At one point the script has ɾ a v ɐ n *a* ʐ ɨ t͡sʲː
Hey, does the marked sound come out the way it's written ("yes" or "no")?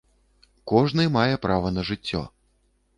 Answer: no